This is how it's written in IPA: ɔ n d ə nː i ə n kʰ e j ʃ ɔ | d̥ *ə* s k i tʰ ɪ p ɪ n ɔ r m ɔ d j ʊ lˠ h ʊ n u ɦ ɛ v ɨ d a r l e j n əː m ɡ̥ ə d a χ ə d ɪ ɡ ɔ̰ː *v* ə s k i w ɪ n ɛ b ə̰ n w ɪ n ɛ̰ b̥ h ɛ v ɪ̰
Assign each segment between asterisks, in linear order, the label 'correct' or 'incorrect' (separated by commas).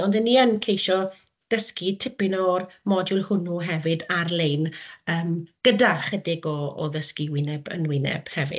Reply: correct, incorrect